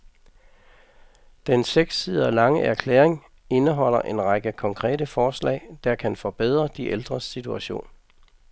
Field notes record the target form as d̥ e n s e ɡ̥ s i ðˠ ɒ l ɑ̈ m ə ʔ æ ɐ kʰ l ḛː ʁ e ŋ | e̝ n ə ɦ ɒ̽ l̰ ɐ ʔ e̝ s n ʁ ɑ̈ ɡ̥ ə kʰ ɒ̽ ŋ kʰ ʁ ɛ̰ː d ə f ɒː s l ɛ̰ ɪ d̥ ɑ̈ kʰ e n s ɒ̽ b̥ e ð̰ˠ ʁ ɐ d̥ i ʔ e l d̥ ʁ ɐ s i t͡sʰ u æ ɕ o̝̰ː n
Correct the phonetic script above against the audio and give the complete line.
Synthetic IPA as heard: d̥ e n s e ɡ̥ s i ðˠ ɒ l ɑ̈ ŋ ə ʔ æ ɐ kʰ l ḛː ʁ e ŋ | e̝ n ə ɦ ɒ̽ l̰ ɐ ʔ e̝ n ʁ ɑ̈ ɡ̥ ə kʰ ɒ̽ ŋ kʰ ʁ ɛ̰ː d ə f ɒː s l ɛ̰ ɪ d̥ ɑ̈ kʰ æ n f ɒ̽ b̥ e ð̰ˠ ʁ ɐ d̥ i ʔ e l d̥ ʁ ɐ s i t͡sʰ u æ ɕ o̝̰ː n